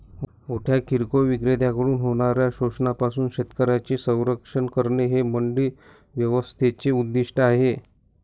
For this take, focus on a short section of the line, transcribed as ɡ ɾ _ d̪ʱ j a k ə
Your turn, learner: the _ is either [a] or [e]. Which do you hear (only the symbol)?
e